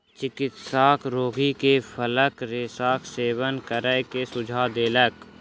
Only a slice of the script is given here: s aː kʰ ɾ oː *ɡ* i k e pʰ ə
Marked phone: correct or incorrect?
correct